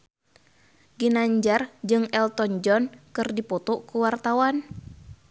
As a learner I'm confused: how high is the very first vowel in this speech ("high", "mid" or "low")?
high